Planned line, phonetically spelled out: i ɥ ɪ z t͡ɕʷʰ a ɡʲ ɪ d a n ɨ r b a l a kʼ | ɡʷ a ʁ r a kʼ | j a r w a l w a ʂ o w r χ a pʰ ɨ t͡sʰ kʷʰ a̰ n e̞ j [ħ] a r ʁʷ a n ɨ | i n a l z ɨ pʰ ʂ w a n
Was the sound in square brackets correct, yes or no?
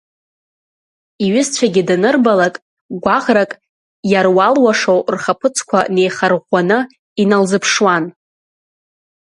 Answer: no